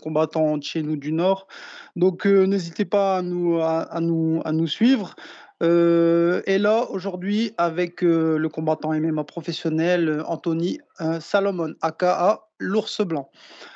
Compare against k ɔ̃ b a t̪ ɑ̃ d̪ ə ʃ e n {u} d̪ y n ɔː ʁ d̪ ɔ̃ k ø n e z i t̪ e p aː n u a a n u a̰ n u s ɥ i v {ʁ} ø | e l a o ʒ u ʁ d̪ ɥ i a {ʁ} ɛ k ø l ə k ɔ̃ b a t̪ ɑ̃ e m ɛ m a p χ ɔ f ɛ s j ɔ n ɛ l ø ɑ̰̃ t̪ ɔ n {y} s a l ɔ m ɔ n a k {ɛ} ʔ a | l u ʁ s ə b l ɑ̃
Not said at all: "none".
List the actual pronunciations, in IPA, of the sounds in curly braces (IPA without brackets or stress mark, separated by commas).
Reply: u, ʁ, v, i, a